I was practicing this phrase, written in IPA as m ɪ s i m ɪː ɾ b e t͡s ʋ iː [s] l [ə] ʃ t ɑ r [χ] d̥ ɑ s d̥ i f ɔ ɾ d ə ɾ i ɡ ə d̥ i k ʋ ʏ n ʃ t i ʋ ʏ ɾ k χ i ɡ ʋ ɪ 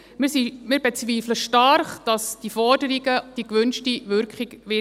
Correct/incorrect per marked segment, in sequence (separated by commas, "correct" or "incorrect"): incorrect, correct, correct